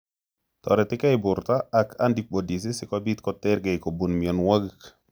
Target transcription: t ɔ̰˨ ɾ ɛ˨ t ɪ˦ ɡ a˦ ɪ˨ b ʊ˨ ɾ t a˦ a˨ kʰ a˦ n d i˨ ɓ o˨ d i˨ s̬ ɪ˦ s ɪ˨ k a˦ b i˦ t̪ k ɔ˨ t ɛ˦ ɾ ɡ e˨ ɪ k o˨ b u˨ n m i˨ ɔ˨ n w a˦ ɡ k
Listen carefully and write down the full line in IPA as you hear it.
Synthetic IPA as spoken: t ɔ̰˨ ɾ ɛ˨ t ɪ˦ k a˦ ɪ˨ b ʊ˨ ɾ t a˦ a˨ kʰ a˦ n d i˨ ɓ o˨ d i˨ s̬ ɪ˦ s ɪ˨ k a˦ b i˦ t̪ k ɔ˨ t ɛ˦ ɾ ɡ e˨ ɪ k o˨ b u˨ n m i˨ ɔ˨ n w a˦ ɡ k